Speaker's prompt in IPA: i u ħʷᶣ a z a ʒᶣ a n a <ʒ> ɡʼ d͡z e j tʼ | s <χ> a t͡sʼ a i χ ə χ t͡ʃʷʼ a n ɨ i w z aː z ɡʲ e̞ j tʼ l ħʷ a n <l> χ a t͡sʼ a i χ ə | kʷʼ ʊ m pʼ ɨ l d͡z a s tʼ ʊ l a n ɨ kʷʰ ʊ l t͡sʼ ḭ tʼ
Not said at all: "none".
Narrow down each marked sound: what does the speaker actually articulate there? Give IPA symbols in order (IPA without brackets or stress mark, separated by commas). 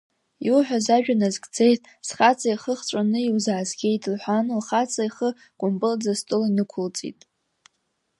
z, χ, l